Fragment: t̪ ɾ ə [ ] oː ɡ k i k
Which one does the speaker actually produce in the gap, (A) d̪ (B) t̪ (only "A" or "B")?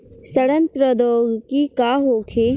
A